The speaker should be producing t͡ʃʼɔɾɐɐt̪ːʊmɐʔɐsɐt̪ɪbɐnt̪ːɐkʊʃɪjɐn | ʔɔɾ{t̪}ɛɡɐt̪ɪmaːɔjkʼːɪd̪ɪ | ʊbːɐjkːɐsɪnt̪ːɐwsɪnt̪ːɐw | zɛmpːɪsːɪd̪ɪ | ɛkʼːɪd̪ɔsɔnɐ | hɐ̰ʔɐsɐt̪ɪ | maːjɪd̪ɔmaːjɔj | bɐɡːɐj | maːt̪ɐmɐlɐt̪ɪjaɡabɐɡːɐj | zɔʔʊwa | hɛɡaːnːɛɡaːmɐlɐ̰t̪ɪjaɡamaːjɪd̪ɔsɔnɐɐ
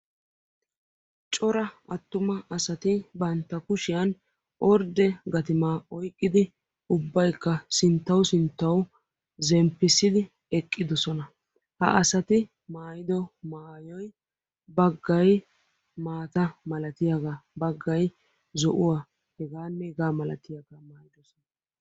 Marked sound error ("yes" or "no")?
yes